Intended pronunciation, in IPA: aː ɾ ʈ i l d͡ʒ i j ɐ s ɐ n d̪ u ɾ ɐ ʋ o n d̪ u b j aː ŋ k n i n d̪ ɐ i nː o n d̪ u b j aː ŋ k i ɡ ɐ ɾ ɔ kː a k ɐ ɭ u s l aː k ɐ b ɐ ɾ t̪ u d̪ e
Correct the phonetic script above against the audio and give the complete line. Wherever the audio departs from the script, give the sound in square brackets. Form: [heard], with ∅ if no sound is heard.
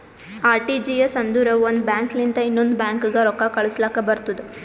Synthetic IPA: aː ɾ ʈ i [∅] d͡ʒ i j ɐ s ɐ n d̪ u ɾ ɐ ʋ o n d̪ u b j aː ŋ k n i n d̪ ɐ i nː o n d̪ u b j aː ŋ k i ɡ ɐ ɾ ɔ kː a k ɐ ɭ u s l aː k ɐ b ɐ ɾ t̪ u d̪ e